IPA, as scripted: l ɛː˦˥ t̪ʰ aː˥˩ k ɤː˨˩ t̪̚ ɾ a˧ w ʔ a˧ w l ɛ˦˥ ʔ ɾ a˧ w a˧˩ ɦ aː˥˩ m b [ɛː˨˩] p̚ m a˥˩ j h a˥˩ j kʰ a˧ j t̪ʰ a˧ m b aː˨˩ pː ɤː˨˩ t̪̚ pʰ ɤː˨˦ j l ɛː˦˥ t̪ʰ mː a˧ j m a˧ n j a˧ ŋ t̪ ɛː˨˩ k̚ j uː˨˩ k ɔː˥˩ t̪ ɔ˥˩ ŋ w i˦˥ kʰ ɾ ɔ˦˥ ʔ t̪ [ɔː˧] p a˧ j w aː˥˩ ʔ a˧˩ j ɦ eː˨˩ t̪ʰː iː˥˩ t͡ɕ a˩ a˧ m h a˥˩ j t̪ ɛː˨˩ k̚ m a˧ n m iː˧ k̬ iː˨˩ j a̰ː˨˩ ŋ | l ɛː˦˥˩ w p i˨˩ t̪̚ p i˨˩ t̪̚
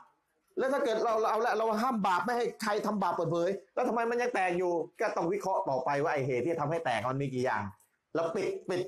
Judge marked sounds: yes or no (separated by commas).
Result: no, no